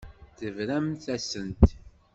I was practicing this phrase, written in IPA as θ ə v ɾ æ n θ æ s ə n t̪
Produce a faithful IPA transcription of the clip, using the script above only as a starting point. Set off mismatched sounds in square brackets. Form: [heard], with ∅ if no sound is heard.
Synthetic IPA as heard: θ ə v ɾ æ [m] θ æ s ə n t̪

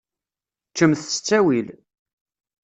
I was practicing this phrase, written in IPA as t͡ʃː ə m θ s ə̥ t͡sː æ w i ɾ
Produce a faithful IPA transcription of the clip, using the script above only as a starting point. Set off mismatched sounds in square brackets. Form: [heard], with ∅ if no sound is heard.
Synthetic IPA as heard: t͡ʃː ə m θ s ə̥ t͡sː æ w i [l]

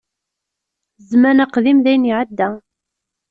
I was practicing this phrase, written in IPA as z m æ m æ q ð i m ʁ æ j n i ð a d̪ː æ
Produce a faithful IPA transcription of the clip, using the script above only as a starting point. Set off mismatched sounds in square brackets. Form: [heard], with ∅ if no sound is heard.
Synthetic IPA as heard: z m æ [n] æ q ð i m [ð] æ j n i [ʕ] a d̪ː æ

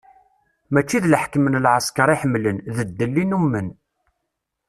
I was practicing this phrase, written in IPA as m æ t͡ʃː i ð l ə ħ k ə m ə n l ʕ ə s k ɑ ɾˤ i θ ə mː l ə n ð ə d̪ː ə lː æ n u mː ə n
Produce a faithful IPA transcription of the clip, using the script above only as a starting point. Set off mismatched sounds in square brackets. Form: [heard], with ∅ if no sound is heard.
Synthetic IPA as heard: m æ t͡ʃː i ð l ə ħ k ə m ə n l ʕ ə s k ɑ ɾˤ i [ħ] ə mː l ə n ð ə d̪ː ə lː [i] n u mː ə n

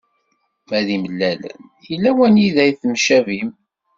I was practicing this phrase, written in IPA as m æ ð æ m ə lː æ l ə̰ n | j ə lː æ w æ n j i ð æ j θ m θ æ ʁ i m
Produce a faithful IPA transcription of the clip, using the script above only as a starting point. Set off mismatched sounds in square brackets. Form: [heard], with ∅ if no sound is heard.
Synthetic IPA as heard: m æ ð [i] m ə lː æ l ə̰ n | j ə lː æ w æ n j i ð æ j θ m [ʃ] æ [v] i m

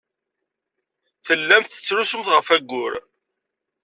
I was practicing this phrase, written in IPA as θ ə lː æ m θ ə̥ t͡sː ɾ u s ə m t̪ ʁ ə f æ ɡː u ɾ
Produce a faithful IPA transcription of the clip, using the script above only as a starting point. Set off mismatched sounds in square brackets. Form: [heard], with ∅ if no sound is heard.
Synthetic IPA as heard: θ ə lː æ m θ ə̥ t͡sː ɾ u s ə m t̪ ʁ ə f æ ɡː [ʊ] ɾ

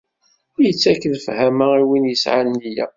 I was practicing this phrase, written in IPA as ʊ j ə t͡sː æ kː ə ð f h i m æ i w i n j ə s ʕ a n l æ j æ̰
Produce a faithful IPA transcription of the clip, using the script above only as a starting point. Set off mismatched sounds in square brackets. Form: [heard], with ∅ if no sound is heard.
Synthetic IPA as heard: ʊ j ə t͡sː æ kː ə ð f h [æ] m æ i w i n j ə s ʕ a n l [i] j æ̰

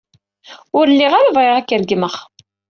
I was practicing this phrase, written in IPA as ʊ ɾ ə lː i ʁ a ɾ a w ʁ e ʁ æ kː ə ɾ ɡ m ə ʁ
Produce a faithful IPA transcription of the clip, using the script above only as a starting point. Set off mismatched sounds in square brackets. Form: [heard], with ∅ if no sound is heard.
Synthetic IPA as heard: ʊ ɾ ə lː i ʁ a ɾ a [v] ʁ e ʁ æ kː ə ɾ ɡ m ə [χ]

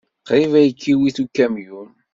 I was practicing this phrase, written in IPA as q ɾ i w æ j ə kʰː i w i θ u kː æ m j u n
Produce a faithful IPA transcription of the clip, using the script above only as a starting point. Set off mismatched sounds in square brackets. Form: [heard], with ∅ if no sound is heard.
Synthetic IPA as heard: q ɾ i [v] æ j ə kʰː i w i θ u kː æ m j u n

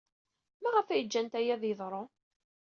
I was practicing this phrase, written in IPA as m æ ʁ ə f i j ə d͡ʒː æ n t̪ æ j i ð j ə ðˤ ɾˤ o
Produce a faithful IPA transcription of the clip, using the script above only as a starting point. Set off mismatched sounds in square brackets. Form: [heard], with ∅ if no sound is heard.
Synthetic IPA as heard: m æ ʁ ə f [æ] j ə d͡ʒː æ n t̪ æ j [æ] ð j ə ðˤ ɾˤ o

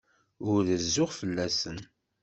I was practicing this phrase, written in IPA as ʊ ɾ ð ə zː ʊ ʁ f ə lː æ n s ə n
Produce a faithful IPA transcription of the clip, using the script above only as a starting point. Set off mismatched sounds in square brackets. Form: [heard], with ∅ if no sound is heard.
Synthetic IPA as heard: ʊ ɾ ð ə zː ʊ ʁ f ə lː æ [∅] s ə n

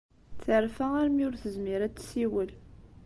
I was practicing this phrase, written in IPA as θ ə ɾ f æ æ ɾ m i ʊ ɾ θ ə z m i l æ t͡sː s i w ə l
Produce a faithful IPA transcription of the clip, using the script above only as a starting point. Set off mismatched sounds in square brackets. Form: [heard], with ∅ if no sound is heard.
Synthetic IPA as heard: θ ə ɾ f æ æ ɾ m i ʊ ɾ θ ə z m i [ɾ] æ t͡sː s i w ə l

